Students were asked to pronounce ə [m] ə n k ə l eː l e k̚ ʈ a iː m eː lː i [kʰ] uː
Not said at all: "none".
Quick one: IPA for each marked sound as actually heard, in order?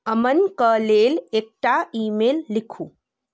m, kʰ

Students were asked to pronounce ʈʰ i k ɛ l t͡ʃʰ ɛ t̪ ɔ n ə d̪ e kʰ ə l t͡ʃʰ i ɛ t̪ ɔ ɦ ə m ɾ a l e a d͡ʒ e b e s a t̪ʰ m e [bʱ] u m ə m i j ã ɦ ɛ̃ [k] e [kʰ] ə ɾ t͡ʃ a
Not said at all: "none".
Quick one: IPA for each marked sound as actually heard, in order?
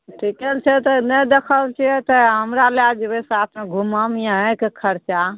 ɡʱ, k, kʰ

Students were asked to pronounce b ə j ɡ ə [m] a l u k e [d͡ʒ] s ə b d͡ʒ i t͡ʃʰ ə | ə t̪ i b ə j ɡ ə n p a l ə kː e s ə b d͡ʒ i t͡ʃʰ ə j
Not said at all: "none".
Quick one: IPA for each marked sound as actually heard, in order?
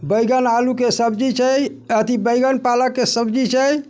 n, none

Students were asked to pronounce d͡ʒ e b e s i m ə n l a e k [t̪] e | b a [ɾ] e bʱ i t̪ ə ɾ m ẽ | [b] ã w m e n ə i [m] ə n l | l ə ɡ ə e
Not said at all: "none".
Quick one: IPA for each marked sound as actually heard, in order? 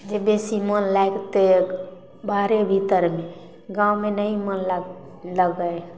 t̪, ɾ, ɡ, m

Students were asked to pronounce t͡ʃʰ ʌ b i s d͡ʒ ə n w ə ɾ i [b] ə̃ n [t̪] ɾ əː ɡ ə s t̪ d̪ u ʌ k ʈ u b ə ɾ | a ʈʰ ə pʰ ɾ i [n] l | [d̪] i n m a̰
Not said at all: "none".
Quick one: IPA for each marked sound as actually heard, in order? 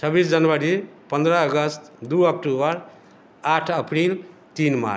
p, d̪, none, t̪

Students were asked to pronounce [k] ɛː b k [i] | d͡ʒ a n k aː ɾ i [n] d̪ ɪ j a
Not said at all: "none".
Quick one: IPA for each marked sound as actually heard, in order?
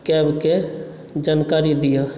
k, e, none

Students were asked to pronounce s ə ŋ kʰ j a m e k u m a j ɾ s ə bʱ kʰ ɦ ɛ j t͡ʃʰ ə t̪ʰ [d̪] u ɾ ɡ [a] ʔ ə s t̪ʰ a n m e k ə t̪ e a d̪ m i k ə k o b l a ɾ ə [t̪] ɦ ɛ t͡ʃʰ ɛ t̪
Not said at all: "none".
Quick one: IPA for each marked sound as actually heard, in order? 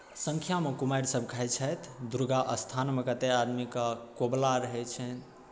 d̪, a, none

